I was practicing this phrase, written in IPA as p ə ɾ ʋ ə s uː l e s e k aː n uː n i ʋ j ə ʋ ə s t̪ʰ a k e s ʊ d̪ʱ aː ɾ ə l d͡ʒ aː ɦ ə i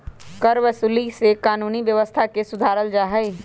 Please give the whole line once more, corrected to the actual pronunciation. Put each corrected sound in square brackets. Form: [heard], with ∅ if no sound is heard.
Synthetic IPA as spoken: [k] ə ɾ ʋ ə s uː l [i] s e k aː n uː n i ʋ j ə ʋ ə s t̪ʰ a k e s ʊ d̪ʱ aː ɾ ə l d͡ʒ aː ɦ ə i